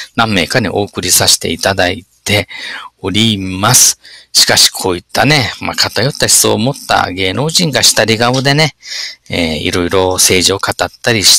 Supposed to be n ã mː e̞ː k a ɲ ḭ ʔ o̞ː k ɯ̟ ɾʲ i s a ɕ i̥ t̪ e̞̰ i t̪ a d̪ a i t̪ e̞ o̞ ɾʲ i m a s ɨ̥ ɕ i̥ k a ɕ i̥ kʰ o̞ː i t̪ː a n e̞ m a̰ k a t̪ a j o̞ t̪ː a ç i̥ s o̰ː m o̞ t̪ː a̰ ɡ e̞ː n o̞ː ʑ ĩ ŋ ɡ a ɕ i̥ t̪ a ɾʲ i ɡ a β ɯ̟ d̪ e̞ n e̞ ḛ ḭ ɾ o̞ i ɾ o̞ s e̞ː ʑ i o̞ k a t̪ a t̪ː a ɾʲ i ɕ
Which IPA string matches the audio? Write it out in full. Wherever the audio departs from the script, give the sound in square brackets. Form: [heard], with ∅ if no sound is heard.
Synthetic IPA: n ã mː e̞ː k a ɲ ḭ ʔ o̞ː k ɯ̟ ɾʲ i s a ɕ i̥ t̪ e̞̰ i t̪ a d̪ a i t̪ e̞ o̞ ɾʲ i m a s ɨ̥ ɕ i̥ k a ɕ i̥ kʰ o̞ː i t̪ː a n e̞ m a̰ k a t̪ a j o̞ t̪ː a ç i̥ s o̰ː m o̞ t̪ː a̰ ɡ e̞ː n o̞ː ʑ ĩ ŋ ɡ a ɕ i̥ t̪ a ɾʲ i ɡ a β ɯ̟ d̪ e̞ n e̞ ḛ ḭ ɾ o̞ i ɾ o̞ s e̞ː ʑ i o̞ k a t̪ a t̪ː a ɾʲ i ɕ